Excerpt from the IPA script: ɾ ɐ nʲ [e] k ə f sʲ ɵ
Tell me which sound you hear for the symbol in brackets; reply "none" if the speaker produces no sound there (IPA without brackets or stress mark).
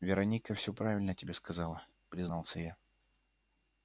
i